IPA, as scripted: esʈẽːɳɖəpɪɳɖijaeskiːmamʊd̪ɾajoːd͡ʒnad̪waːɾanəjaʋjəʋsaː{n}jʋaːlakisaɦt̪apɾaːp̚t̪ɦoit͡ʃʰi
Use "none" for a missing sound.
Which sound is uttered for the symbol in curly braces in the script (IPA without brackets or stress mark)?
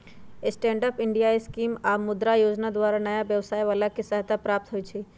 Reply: none